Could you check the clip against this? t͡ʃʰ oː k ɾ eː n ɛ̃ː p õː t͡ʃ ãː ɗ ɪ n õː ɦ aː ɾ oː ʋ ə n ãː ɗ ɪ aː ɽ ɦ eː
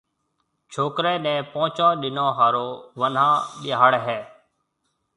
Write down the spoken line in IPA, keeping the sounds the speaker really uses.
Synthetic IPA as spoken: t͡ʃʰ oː k ɾ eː n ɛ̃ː p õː t͡ʃ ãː ɗ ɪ n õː ɦ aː ɾ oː ʋ ə n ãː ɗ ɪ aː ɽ ɦ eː